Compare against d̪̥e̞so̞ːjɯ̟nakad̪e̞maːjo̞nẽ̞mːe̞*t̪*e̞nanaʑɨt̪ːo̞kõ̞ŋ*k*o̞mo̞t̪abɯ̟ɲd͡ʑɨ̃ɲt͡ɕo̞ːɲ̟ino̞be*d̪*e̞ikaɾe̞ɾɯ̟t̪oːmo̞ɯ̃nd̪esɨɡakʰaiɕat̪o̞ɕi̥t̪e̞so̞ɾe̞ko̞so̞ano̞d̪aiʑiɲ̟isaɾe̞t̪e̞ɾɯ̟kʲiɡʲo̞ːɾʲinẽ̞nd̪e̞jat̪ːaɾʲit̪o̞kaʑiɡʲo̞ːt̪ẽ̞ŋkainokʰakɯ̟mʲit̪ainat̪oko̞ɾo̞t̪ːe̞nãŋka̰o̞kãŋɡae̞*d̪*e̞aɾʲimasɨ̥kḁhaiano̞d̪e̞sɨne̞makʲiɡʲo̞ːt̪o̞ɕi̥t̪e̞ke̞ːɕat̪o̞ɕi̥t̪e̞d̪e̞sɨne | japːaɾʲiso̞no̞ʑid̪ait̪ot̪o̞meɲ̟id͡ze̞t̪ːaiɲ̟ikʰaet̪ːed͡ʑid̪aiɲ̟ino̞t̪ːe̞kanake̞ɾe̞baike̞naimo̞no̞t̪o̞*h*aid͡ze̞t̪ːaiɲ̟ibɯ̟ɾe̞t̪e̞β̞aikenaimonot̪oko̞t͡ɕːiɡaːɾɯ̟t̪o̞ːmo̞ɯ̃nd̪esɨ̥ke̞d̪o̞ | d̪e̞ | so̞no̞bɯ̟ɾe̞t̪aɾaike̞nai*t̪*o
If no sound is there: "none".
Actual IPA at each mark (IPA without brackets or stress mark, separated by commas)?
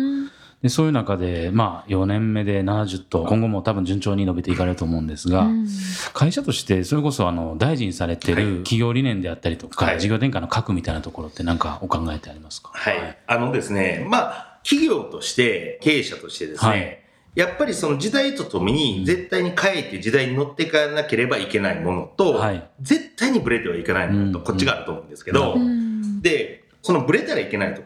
d̪, ɡ, t̪, t̪, h, t̪